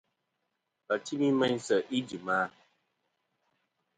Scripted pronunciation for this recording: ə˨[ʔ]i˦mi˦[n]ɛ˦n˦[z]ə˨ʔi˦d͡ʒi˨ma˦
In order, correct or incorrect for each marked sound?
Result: incorrect, incorrect, incorrect

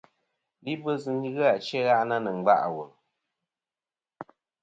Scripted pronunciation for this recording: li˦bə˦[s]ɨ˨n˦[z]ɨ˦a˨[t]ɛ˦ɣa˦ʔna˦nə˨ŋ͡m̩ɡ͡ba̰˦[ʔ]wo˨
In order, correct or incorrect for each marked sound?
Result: incorrect, incorrect, incorrect, correct

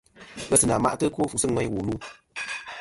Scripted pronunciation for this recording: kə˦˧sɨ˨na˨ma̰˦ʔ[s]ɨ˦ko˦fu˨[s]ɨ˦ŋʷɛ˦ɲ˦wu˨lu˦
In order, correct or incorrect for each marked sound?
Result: incorrect, correct

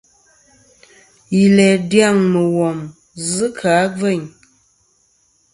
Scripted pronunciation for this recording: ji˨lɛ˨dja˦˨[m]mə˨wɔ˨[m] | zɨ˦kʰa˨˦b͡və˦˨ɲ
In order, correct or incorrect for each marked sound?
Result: incorrect, correct

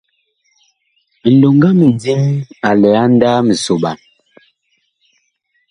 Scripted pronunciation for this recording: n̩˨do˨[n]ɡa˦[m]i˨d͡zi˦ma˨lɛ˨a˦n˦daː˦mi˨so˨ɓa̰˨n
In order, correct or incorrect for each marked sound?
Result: incorrect, correct

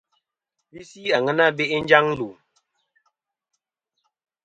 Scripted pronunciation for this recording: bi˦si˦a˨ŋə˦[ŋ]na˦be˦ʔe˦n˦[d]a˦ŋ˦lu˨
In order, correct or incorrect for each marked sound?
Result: incorrect, incorrect

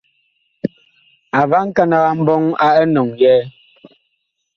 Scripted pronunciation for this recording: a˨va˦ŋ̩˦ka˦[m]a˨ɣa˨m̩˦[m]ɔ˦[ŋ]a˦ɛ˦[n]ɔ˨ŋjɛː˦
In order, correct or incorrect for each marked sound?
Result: incorrect, incorrect, correct, correct

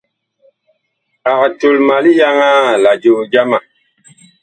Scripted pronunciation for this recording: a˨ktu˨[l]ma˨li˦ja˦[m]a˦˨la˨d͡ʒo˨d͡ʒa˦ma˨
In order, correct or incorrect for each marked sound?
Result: correct, incorrect

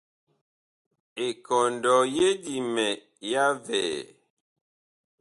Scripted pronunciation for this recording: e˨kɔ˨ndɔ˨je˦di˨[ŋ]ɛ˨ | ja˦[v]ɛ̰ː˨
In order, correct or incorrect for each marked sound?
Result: incorrect, correct

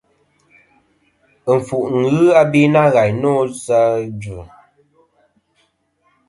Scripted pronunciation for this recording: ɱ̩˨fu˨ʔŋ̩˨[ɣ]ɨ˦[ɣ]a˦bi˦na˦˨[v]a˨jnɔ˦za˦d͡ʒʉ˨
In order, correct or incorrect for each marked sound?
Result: correct, incorrect, incorrect

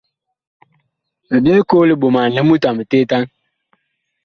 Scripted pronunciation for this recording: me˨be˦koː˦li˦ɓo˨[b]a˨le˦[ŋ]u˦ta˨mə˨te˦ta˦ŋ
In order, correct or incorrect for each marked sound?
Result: incorrect, incorrect

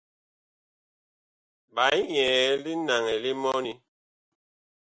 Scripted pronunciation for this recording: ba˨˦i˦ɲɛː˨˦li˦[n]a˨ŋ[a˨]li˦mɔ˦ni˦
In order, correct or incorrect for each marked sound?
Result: correct, incorrect

